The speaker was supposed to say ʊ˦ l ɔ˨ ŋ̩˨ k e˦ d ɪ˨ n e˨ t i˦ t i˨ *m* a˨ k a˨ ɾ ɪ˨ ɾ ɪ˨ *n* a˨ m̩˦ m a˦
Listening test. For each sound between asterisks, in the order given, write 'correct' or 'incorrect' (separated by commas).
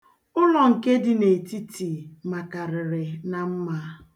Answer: correct, correct